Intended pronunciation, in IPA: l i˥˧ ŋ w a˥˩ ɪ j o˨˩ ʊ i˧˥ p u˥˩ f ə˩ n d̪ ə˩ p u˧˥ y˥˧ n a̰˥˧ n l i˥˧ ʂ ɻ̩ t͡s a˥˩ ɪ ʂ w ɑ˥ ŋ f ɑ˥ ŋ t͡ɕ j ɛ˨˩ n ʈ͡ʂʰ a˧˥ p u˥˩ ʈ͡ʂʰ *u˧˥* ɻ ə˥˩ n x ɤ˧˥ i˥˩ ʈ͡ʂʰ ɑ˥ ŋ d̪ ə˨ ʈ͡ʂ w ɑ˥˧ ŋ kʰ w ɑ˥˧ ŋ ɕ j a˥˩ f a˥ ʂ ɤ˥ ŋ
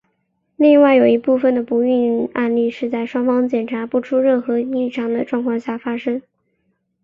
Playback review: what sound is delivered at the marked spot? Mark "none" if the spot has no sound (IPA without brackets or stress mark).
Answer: u˥